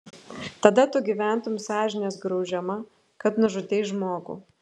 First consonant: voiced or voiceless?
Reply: voiceless